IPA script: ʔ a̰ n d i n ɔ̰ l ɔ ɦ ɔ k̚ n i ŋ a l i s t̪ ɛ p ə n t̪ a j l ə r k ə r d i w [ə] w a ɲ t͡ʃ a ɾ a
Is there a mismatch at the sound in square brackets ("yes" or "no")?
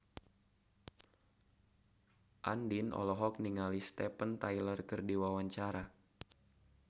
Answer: yes